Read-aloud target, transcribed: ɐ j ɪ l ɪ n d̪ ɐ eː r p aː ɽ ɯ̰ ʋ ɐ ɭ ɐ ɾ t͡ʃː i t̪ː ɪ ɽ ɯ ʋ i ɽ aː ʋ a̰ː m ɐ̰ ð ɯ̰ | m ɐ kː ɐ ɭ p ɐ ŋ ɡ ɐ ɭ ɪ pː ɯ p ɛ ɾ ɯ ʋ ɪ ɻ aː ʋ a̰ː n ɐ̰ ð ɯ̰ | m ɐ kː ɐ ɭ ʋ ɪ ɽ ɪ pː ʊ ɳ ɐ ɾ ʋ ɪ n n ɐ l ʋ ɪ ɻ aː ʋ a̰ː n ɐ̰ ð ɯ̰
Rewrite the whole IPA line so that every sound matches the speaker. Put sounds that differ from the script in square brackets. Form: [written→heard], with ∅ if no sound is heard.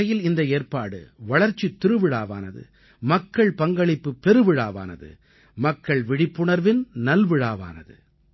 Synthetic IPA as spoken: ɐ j ɪ l ɪ n d̪ ɐ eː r p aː ɽ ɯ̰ ʋ ɐ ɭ ɐ ɾ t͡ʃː i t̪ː ɪ [ɽ→ɾ] ɯ ʋ [i→ɪ] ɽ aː ʋ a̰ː [m→n] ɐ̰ ð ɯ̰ | m ɐ kː ɐ ɭ p ɐ ŋ ɡ ɐ ɭ ɪ pː ɯ p ɛ ɾ ɯ ʋ ɪ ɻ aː ʋ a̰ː n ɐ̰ ð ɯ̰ | m ɐ kː ɐ ɭ ʋ ɪ ɽ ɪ pː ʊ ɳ ɐ ɾ ʋ ɪ n n ɐ l ʋ ɪ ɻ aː ʋ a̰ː n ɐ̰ ð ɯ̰